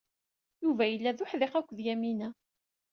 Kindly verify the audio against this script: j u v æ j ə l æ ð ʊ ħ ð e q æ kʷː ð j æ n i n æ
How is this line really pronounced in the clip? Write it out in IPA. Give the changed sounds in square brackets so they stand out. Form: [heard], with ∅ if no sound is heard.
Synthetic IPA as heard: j u v æ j ə [lː] æ ð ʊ ħ ð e q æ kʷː ð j æ [m] i n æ

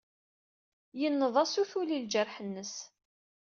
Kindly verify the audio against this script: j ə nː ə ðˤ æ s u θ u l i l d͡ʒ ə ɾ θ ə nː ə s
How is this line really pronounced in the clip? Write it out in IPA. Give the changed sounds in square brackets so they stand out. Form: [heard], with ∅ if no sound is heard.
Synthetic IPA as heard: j ə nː ə ðˤ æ s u θ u l i l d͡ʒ ə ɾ [ħ] ə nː ə s

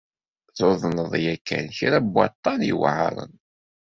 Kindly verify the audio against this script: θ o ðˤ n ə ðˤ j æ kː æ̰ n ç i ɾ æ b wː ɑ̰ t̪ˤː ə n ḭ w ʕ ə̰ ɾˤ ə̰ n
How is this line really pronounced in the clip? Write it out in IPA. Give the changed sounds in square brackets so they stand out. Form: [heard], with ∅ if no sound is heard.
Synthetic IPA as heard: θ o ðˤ n ə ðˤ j æ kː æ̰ n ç i ɾ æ b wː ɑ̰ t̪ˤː [ɑ] n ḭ w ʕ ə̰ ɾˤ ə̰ n

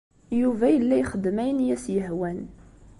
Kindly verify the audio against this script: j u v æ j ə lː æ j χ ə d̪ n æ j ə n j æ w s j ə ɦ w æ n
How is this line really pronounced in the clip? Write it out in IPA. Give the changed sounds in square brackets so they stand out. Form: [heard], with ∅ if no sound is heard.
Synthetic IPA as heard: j u v æ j ə lː æ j χ ə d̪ [m] æ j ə n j æ [∅] s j ə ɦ w æ n

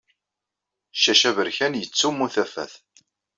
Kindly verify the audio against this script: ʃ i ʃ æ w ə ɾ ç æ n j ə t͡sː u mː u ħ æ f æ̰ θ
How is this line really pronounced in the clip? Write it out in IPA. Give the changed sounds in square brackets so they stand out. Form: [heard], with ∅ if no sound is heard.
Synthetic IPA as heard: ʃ [æ] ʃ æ [v] ə ɾ ç æ n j ə t͡sː u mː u [θ] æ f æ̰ θ

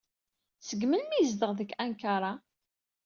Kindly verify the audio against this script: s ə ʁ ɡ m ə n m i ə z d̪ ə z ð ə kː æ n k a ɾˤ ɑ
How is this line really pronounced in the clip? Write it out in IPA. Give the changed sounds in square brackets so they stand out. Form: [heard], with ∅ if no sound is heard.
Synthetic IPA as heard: s ə [∅] ɡ m ə n m i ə z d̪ ə [ʁ] ð ə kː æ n k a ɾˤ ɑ

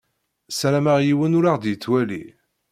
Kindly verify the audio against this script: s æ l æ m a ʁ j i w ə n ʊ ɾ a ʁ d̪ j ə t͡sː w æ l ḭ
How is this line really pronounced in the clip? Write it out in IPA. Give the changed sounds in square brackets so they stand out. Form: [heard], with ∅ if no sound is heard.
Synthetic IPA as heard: s æ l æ m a ʁ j i w ə n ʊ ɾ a ʁ d̪ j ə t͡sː w æ l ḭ

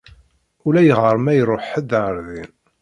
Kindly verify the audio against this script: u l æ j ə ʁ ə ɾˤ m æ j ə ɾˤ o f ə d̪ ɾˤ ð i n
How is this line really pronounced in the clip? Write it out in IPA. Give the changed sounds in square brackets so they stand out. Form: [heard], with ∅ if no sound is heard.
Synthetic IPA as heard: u l æ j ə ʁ ə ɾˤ m æ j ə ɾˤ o [ħ] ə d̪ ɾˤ ð i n

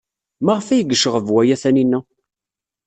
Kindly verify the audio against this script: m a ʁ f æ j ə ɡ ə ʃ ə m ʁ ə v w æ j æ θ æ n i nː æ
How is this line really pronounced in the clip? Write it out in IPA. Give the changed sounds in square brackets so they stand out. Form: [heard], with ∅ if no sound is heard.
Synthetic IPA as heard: m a ʁ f æ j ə ɡ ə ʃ ə [∅] ʁ ə v w æ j æ θ æ n i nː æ

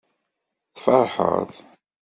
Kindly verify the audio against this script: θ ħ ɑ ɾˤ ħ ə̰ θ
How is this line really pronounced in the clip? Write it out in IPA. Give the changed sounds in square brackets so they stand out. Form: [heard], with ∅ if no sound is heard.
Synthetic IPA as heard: θ [f] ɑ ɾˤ ħ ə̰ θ

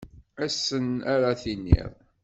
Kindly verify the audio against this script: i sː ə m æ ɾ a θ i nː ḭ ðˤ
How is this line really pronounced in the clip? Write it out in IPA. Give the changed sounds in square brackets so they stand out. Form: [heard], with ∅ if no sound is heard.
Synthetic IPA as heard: [æ] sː ə [n] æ ɾ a θ i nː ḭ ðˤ

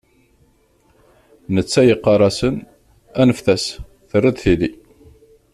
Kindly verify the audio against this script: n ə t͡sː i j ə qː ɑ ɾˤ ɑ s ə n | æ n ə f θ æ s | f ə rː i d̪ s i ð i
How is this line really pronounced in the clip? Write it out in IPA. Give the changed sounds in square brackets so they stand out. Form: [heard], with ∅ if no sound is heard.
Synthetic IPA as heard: n ə t͡sː [æ] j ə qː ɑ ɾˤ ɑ s ə n | æ n ə f θ æ s | [θ] ə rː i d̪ [θ] i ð i

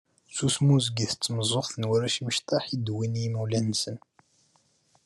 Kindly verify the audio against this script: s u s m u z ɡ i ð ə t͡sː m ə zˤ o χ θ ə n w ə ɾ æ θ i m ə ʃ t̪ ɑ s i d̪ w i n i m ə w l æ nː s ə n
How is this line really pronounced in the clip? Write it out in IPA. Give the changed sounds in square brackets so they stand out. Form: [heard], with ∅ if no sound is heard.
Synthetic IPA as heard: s u s m u z ɡ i [θ] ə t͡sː m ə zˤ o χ θ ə n w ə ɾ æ [ʃ] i m ə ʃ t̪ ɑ [ħ] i d̪ w i n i m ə w l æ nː s ə n

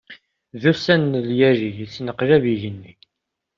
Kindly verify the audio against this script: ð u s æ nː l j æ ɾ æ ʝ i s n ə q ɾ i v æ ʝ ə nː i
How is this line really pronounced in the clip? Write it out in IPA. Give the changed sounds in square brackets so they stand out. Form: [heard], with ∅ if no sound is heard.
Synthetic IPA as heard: ð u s æ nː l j æ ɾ [i] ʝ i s n ə q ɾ [æ] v [i] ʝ ə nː i

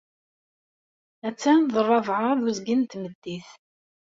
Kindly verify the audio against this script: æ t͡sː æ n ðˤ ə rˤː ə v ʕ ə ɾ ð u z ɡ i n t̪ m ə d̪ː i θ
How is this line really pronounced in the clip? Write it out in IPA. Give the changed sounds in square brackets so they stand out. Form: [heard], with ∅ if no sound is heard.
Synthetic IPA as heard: æ t͡sː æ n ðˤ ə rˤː [ɑ] v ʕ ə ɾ ð u z ɡ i n t̪ m ə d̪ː i θ

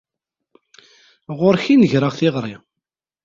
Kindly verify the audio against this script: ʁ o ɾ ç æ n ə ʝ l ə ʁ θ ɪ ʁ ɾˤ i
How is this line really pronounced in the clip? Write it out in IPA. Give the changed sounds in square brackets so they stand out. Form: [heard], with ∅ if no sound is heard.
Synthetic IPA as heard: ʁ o ɾ ç [i] n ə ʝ [ɾ] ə ʁ θ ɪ ʁ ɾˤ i

